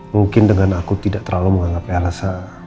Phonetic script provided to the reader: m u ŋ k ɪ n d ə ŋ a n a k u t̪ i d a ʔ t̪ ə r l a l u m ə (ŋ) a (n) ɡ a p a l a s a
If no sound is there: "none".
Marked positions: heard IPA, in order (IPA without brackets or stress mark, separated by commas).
ŋ, ŋ